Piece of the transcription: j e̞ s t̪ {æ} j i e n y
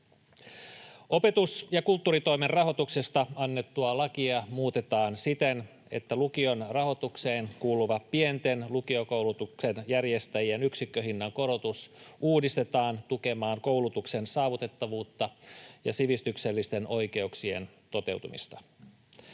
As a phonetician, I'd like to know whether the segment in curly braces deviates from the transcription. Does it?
no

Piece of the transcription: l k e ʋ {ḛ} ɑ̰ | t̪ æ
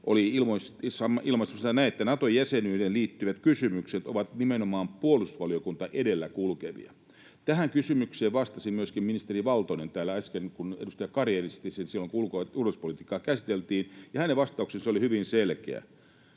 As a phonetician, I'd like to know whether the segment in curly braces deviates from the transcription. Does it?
yes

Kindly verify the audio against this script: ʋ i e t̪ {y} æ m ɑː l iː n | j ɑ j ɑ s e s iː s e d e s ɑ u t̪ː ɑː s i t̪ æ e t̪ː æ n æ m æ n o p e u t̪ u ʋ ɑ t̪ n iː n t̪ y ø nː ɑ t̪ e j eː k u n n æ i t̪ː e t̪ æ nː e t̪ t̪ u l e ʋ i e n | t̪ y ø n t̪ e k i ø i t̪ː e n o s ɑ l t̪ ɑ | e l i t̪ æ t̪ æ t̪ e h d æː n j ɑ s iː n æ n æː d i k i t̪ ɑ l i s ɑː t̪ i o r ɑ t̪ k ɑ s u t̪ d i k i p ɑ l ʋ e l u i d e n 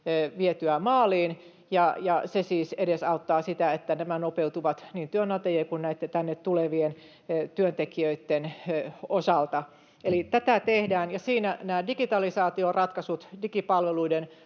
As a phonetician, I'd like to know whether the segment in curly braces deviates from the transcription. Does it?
no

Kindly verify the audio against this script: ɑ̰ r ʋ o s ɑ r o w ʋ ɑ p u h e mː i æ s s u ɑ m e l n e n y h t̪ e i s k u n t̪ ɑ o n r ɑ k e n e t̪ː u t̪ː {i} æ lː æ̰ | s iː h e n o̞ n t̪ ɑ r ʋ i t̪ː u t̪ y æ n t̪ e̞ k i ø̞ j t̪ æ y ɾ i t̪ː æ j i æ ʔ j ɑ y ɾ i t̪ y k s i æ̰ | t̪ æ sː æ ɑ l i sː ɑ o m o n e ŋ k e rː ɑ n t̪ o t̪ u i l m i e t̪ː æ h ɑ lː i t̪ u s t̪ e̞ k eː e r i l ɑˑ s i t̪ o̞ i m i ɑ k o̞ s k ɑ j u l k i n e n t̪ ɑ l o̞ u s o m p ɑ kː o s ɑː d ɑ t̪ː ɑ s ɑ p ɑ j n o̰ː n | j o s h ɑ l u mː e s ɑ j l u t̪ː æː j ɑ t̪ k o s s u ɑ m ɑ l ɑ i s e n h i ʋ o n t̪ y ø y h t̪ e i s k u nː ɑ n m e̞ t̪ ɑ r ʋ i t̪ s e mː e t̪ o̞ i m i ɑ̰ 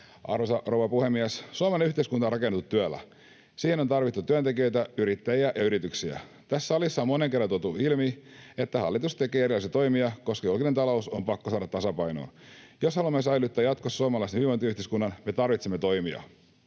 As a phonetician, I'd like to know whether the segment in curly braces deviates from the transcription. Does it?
yes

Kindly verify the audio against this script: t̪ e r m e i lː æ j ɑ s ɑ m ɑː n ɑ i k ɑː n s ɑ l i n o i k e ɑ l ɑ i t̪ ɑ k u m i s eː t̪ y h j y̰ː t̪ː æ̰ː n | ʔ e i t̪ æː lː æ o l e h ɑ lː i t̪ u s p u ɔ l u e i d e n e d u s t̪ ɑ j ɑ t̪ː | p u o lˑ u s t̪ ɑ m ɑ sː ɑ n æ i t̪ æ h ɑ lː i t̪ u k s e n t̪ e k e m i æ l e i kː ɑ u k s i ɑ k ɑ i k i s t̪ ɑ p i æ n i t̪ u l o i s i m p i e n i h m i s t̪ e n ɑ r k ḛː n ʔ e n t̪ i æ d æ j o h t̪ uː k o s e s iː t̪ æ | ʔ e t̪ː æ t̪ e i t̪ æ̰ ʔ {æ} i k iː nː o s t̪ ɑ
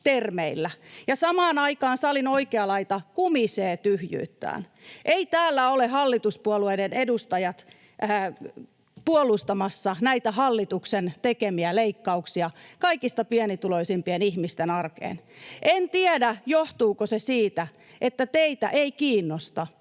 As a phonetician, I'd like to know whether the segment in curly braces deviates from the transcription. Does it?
yes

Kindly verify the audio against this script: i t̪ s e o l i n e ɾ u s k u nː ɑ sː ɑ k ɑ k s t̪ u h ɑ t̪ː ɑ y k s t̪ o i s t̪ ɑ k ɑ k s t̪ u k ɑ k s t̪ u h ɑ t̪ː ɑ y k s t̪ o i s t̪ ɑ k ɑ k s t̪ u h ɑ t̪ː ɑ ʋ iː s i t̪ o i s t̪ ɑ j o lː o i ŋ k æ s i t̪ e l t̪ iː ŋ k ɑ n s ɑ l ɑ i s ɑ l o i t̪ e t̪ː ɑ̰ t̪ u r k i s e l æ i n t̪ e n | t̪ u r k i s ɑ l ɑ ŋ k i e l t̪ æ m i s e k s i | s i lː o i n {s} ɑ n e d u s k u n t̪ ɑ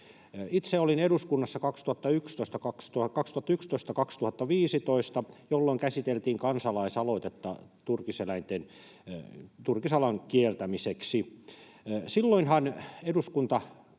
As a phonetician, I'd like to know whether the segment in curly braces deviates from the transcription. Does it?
yes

